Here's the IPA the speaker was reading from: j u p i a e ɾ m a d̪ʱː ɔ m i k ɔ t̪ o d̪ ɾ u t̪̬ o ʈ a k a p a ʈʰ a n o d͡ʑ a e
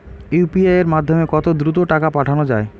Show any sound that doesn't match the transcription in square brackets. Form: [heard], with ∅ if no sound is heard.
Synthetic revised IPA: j u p i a e ɾ m a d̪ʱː [o] m [e] k ɔ t̪ o d̪ ɾ u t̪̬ o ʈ a k a p a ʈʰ a n o d͡ʑ a e